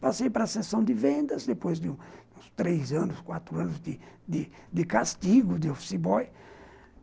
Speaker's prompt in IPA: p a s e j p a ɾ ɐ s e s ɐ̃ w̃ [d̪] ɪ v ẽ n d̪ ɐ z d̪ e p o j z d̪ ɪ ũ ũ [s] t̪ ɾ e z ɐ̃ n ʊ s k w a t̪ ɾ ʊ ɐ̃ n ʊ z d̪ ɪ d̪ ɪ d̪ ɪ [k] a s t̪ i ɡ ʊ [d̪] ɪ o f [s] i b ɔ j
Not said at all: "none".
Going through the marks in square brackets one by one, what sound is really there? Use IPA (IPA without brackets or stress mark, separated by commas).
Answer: d̪, s, k, d̪, s